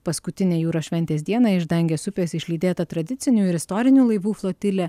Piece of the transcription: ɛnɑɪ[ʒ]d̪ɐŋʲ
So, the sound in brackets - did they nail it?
yes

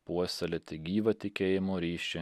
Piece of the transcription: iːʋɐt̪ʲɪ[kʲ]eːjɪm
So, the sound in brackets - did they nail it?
yes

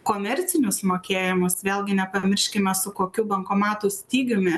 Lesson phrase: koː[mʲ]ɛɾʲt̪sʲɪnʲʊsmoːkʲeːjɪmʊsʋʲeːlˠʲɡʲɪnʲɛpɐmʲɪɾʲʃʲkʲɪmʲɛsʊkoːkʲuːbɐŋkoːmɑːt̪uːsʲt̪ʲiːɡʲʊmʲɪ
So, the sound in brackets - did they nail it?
yes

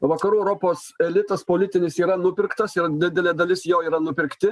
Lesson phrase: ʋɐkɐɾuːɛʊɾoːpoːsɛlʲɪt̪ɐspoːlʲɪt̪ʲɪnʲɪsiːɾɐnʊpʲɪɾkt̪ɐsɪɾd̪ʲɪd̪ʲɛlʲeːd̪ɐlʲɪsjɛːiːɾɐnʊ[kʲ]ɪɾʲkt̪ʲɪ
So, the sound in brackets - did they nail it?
no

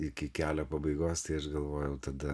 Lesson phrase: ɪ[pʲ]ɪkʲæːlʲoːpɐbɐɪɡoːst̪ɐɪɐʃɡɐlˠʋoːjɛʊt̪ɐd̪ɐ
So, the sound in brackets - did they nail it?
no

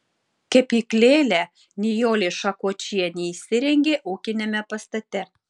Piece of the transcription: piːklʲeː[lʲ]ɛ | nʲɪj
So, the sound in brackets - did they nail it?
yes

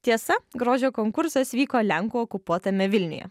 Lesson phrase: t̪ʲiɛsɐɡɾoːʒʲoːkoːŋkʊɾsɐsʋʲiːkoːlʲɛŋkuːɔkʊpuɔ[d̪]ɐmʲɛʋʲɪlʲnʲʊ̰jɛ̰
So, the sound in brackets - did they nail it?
no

